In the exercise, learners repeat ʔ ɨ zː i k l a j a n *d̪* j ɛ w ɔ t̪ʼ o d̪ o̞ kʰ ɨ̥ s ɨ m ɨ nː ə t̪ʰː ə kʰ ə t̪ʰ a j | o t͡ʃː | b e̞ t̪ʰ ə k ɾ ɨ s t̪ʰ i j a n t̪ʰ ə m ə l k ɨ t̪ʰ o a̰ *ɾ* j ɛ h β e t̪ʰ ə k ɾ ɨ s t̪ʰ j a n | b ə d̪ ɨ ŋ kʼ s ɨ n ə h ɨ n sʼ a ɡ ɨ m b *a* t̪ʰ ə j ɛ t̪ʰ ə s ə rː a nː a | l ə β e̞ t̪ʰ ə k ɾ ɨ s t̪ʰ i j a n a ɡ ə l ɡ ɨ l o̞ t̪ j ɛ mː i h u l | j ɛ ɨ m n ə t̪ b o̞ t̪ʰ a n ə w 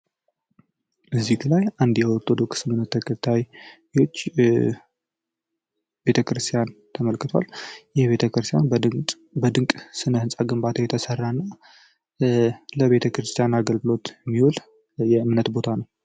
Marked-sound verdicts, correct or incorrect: correct, incorrect: l, correct

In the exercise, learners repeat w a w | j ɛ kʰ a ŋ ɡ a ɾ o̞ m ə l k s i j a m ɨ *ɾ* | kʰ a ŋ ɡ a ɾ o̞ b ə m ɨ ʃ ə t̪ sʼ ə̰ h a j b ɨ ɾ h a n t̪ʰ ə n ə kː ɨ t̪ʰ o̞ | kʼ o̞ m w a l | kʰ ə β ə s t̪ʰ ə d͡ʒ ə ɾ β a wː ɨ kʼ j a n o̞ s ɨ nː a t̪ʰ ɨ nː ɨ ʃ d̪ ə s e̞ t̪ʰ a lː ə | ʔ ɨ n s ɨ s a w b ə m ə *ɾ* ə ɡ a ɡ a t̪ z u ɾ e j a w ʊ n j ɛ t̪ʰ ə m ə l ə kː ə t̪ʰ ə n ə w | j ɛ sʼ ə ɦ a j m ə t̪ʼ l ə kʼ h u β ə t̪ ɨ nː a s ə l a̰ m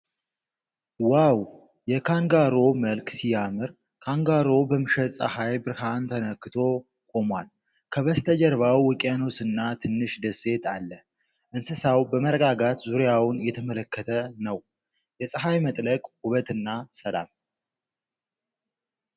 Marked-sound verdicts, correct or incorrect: correct, correct

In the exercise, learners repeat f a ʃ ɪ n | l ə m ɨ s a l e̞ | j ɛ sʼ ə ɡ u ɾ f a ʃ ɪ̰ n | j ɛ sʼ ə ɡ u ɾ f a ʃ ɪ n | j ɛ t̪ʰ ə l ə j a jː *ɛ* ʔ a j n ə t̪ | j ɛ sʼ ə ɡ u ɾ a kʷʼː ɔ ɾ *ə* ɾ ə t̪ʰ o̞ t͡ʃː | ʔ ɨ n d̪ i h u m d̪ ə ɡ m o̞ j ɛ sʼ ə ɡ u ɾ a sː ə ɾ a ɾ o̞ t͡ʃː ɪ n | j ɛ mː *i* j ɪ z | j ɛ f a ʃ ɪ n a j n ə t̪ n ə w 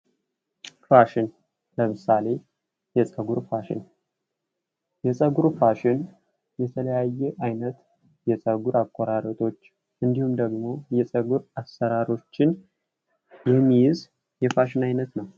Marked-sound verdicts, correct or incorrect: correct, incorrect: a, correct

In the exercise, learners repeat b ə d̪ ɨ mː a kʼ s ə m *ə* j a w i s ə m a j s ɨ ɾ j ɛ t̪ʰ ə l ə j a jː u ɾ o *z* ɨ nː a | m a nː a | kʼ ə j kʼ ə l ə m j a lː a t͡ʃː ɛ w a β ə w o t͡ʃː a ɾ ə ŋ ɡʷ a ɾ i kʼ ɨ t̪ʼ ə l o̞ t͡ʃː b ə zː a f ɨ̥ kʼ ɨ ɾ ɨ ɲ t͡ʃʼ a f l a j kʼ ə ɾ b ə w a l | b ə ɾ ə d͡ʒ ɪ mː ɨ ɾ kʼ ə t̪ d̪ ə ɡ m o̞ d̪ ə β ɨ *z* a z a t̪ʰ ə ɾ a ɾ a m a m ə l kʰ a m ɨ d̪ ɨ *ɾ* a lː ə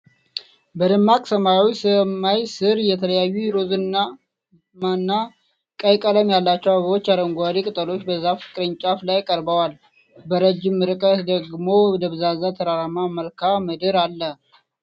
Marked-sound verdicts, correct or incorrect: incorrect: a, correct, correct, correct

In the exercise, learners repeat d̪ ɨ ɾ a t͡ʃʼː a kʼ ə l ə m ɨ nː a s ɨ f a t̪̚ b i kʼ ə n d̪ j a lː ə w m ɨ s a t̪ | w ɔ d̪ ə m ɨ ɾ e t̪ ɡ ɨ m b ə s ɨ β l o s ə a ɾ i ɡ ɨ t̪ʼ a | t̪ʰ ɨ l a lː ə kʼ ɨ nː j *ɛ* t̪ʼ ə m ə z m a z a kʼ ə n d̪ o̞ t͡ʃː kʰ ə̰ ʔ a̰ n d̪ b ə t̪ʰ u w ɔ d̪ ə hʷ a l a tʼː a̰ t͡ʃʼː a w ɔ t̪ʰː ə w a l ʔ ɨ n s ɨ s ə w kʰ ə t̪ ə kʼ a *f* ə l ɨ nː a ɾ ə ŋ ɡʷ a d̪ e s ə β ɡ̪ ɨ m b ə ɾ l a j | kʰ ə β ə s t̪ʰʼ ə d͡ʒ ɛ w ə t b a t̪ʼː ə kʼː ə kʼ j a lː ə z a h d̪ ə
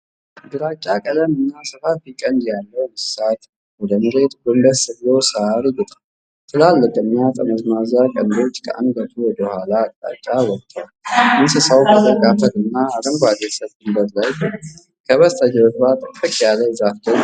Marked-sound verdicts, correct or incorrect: incorrect: a, correct

